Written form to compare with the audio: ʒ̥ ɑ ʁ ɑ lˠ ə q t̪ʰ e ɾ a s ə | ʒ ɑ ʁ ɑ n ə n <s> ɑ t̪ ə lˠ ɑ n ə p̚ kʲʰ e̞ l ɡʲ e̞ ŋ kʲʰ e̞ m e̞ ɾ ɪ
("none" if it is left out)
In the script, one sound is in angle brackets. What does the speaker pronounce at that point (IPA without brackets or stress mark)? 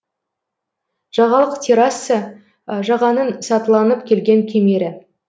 s